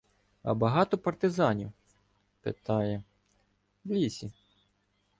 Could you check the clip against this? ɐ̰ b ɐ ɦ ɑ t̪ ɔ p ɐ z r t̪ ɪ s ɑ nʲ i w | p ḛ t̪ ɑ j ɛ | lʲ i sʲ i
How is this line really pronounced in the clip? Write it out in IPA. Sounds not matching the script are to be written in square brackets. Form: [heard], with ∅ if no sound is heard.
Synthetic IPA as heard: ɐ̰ b ɐ ɦ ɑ t̪ ɔ p ɐ [∅] r t̪ ɪ [z] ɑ nʲ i w | p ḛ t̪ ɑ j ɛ | lʲ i sʲ i